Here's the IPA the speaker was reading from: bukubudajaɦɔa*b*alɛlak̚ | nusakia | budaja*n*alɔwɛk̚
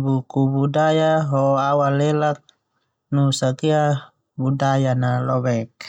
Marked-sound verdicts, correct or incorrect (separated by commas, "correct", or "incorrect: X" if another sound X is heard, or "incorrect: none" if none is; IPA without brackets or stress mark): incorrect: w, correct